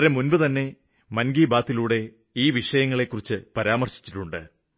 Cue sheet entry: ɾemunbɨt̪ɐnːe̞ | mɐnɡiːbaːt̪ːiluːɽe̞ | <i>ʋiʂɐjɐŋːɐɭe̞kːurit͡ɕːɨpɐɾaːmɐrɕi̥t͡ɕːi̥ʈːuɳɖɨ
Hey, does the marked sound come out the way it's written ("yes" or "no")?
no